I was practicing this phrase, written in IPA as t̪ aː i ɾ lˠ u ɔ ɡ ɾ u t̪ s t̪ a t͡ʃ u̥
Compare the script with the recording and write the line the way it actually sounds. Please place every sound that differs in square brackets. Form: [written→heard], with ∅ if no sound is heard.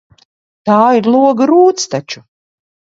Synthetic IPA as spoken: t̪ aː i ɾ lˠ u ɔ ɡ ɾ [u→uː] t̪ s t̪ a t͡ʃ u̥